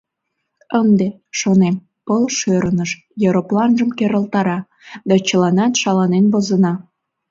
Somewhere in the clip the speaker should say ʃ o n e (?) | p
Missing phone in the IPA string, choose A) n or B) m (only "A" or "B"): B